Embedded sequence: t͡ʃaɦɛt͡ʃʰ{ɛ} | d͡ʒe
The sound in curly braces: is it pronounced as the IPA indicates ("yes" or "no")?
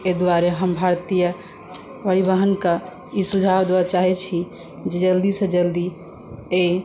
no